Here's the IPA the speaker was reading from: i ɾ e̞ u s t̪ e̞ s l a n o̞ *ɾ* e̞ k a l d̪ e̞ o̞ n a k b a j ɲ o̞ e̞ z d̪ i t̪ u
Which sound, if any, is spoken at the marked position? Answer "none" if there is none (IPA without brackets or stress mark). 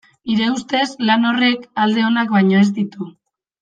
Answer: r